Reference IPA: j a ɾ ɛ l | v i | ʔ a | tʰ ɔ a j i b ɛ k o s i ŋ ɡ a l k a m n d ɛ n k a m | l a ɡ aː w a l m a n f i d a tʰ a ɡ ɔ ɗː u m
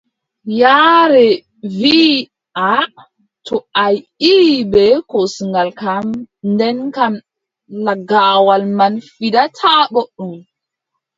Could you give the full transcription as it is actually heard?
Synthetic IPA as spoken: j a ɾ ɛ | v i | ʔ a | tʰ ɔ a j i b ɛ k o s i ŋ ɡ a l k a m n d ɛ n k a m | l a ɡ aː w a l m a n f i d a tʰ a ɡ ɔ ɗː u m